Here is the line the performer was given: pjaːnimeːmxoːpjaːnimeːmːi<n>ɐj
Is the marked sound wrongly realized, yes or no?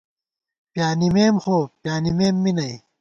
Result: no